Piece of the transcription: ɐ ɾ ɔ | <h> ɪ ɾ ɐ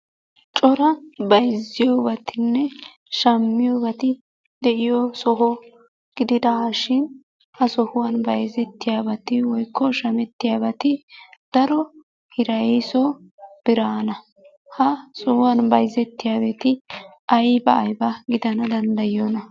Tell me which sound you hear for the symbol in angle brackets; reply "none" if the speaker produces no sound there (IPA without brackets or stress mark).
h